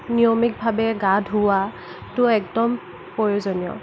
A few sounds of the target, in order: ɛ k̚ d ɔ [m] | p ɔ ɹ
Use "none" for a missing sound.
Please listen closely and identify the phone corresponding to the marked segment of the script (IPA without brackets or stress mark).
m